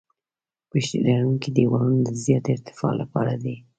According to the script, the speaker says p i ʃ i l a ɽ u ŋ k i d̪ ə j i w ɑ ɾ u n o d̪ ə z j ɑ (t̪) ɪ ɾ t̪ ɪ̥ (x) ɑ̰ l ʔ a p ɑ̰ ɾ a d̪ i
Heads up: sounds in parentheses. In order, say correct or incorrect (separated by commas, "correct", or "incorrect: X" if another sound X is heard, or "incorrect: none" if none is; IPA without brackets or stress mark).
correct, incorrect: f